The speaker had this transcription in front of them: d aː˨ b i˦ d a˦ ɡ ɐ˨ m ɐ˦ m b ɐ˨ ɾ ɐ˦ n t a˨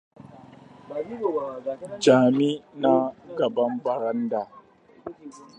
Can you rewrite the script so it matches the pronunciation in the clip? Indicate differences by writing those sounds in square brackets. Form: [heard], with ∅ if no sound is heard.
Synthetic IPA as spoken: [d͡ʒ] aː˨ [m] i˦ [n] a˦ ɡ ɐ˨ [b] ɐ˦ m b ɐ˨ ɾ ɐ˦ n [d] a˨